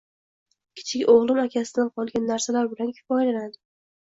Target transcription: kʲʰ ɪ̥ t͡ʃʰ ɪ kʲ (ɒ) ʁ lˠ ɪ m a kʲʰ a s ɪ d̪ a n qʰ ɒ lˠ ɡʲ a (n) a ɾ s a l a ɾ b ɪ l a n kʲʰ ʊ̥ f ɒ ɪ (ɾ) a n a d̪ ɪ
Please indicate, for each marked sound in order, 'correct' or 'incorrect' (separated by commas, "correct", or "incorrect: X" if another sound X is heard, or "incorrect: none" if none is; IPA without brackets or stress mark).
incorrect: o, incorrect: nː, incorrect: l